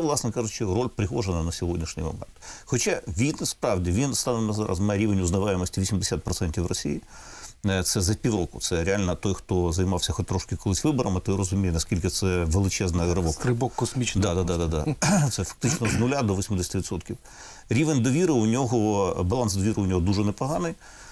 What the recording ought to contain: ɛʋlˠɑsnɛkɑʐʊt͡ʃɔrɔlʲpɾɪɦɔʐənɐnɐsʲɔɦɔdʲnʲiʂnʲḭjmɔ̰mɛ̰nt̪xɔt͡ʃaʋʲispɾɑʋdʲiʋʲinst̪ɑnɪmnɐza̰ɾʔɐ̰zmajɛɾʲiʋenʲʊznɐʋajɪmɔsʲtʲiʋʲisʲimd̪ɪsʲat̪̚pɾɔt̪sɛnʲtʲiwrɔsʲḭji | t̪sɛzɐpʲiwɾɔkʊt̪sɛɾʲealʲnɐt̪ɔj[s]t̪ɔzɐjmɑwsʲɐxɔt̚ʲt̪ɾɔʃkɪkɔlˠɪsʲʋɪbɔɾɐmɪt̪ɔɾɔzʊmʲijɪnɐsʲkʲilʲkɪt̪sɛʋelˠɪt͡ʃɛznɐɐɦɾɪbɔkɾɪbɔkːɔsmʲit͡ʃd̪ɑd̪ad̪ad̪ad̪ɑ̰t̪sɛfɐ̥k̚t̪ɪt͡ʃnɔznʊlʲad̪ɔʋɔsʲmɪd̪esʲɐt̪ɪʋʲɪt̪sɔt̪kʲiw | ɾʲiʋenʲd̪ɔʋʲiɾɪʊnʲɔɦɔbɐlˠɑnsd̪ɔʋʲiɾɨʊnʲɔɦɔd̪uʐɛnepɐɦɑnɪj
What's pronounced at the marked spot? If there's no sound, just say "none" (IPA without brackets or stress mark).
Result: x